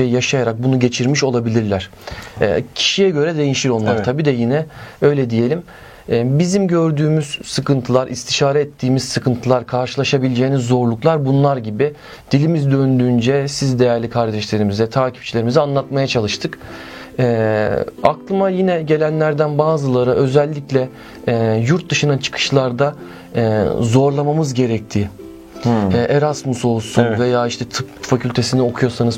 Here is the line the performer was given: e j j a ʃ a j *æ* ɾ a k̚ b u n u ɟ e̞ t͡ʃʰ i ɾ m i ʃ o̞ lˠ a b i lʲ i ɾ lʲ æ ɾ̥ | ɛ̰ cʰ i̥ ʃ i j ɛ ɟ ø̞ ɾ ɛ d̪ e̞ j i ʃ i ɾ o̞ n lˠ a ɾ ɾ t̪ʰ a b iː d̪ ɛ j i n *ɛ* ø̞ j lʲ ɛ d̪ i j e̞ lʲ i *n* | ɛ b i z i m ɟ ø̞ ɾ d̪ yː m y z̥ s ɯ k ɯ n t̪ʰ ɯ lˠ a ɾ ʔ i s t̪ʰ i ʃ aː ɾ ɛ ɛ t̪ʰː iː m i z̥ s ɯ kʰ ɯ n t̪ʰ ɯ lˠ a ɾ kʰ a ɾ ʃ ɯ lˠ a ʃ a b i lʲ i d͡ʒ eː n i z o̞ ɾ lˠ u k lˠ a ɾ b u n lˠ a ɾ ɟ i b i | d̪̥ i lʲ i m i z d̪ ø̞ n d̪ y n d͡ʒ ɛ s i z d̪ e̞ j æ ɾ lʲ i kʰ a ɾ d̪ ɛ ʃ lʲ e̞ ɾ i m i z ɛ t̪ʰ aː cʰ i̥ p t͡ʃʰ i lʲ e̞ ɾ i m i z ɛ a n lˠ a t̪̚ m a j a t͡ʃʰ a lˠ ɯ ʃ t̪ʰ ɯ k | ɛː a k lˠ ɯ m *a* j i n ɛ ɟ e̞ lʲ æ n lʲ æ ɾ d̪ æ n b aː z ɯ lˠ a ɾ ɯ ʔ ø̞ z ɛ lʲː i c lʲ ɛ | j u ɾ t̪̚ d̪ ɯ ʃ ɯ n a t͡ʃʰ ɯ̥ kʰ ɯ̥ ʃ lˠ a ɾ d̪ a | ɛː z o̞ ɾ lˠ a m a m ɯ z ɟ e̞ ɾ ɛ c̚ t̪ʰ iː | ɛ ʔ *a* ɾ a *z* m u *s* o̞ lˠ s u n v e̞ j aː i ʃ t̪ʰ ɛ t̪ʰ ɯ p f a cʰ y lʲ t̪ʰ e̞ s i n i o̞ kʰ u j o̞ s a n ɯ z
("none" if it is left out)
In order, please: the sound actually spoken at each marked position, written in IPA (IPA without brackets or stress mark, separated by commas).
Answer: a, ɛ, m, a, e, s, s